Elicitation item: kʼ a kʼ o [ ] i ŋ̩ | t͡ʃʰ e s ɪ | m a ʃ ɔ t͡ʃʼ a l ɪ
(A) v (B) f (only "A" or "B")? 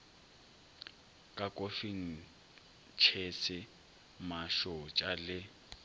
B